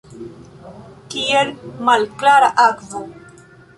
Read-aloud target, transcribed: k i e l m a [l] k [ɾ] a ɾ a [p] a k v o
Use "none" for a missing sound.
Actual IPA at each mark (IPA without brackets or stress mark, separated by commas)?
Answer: l, l, ʔ